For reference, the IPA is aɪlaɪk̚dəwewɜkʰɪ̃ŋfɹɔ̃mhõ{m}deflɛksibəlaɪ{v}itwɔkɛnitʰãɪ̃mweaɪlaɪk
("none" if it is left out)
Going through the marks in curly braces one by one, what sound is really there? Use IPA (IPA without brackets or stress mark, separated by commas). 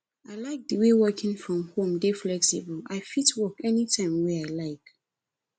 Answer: m, f